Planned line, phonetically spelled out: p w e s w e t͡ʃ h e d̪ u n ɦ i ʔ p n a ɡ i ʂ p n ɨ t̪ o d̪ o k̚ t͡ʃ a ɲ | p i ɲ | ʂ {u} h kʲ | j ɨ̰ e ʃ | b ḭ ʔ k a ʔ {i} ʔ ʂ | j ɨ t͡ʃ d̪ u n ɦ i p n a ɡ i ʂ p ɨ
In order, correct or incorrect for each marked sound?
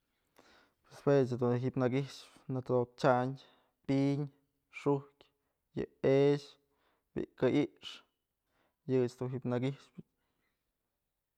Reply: correct, correct

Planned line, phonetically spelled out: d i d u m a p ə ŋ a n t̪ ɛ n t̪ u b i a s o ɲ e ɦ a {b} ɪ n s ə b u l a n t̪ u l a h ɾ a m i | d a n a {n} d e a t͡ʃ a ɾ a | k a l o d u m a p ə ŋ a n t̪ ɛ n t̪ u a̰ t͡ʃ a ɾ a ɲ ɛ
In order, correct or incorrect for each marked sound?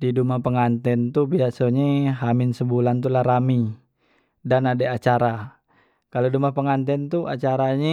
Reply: incorrect: m, incorrect: none

